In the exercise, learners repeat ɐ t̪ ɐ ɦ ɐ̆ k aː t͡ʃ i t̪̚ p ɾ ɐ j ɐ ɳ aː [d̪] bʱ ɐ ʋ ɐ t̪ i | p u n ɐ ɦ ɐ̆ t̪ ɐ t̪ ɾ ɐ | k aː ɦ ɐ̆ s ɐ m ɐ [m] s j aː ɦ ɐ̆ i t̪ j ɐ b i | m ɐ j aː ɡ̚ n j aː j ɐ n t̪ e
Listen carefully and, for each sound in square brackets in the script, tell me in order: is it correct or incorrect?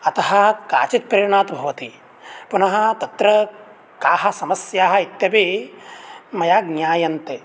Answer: incorrect, incorrect

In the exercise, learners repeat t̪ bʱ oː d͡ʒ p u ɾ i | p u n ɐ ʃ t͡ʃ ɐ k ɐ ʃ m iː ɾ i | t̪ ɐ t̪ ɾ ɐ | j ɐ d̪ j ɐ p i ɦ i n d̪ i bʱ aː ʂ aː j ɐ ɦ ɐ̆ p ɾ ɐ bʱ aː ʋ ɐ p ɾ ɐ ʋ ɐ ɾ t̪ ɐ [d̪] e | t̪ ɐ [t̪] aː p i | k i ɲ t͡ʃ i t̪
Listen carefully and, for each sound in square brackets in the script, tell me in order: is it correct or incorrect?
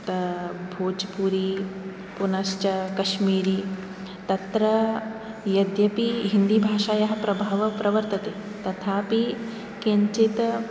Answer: incorrect, incorrect

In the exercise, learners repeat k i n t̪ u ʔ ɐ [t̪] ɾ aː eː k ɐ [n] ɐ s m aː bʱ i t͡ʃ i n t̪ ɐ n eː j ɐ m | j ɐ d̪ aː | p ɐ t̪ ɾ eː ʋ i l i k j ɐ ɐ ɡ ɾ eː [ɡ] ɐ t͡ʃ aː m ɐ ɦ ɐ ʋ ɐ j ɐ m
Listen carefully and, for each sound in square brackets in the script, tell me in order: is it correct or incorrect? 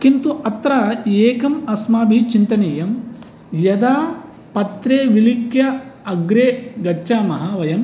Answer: correct, incorrect, correct

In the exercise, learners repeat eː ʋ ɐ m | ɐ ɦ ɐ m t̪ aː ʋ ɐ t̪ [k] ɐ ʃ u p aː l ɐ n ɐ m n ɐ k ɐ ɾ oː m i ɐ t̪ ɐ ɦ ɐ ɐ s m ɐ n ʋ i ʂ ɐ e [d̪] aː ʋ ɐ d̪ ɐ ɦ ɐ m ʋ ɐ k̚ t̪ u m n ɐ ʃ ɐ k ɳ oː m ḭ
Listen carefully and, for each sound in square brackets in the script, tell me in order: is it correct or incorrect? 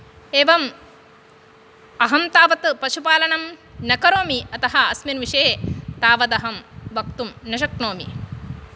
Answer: incorrect, incorrect

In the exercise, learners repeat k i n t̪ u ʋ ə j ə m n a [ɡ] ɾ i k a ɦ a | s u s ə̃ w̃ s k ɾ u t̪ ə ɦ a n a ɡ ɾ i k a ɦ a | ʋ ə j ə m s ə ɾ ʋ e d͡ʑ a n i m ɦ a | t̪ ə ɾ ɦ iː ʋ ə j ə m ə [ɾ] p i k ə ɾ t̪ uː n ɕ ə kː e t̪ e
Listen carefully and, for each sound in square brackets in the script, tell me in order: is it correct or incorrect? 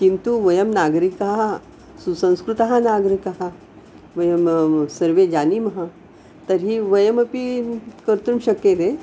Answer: correct, incorrect

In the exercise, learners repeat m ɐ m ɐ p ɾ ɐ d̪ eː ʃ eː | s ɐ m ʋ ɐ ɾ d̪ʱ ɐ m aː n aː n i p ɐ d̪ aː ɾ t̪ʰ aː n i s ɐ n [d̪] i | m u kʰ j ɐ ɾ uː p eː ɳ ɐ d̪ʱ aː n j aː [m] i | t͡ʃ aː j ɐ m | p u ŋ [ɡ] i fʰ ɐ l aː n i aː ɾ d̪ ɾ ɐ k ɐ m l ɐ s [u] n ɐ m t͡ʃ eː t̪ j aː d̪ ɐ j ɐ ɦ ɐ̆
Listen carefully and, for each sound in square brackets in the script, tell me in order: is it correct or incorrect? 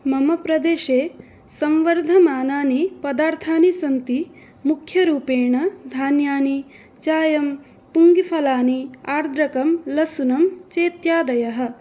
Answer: incorrect, incorrect, correct, correct

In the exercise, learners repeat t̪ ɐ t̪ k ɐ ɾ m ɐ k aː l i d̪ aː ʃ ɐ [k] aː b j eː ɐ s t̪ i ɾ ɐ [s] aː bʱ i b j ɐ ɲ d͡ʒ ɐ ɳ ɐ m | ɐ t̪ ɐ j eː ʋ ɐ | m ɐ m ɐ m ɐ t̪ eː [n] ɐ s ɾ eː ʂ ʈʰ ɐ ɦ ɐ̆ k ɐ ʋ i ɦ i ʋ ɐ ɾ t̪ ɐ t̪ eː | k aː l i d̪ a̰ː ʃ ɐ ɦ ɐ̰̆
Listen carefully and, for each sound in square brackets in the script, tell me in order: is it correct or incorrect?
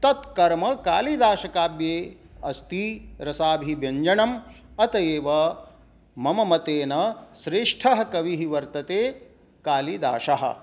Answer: correct, correct, correct

